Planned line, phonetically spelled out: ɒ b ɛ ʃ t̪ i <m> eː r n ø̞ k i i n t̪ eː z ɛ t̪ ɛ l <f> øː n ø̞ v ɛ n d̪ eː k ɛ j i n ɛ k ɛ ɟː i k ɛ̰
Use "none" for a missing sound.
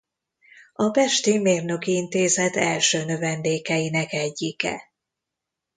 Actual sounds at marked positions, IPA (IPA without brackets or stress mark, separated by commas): m, ʃ